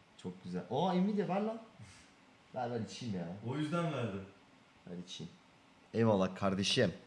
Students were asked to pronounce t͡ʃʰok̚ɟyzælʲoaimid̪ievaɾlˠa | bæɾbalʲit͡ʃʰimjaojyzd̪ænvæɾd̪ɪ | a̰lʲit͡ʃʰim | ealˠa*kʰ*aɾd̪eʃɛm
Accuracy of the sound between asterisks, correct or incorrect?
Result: correct